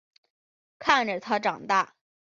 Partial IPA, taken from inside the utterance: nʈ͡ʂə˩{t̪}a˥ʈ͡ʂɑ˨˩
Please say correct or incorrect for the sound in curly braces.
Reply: incorrect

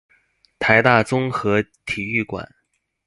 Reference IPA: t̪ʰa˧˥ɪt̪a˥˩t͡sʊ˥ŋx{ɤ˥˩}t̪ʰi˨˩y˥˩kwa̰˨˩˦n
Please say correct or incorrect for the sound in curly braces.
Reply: incorrect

